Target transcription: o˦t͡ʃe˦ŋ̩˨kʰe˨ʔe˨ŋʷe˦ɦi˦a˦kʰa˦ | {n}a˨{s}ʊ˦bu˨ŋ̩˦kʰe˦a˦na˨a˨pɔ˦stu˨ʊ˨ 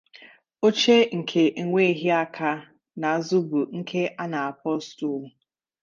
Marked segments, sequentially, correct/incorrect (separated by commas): correct, incorrect